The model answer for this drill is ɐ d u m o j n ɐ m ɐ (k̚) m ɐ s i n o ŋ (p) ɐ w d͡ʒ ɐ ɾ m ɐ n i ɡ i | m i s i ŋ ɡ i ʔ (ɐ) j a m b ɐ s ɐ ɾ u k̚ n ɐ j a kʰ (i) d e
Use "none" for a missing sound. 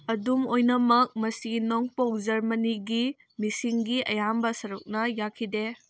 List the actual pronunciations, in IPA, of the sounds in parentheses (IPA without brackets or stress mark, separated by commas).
k̚, p, ɐ, i